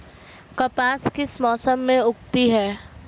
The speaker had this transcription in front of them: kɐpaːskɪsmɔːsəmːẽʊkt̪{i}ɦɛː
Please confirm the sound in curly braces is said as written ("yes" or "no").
yes